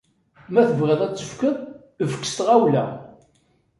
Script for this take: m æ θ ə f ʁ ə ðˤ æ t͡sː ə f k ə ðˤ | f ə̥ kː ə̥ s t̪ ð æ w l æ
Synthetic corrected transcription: m æ θ ə v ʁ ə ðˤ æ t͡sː ə f k ə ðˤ | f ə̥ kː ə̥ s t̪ ʁ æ w l æ